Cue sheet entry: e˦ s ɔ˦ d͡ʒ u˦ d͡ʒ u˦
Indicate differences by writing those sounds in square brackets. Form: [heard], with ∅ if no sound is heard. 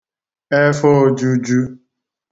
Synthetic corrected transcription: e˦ [f] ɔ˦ d͡ʒ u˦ d͡ʒ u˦